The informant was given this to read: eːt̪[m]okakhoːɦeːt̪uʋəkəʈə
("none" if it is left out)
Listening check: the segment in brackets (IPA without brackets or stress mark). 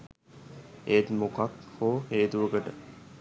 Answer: m